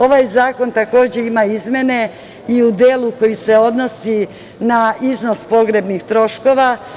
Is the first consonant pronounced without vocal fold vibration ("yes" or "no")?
no